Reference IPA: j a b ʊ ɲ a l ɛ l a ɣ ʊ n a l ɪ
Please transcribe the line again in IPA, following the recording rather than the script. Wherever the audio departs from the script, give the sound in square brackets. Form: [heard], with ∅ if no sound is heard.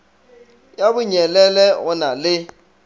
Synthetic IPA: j a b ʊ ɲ [ɛ] l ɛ l [ɛ] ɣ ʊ n a l ɪ